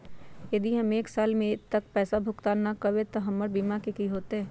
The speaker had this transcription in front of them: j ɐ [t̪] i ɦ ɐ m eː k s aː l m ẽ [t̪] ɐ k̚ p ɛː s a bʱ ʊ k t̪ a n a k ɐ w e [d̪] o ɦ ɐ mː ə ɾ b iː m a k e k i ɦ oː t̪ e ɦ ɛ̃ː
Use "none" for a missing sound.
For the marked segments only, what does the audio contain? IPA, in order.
d̪, t̪, t̪

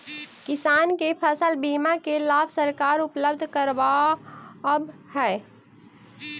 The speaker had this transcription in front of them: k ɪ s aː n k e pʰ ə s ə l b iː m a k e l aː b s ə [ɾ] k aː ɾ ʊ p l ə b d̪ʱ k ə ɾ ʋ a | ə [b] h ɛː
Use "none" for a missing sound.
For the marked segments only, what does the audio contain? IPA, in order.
ɾ, b

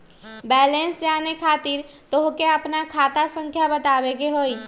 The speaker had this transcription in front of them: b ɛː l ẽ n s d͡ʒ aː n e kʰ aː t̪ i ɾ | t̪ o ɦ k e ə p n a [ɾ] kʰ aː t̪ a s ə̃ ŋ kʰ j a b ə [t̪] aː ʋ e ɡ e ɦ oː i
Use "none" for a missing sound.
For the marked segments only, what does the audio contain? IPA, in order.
none, t̪

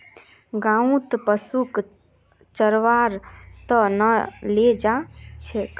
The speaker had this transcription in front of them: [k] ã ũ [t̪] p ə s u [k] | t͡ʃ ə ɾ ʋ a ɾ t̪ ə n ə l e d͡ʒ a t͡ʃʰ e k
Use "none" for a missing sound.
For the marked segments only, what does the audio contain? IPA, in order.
ɡ, t̪, k

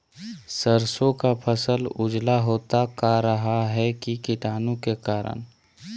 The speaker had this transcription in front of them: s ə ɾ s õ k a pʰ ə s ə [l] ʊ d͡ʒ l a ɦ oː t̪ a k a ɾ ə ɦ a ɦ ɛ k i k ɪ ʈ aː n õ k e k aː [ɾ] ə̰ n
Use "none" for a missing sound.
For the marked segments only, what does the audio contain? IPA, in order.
l, ɾ

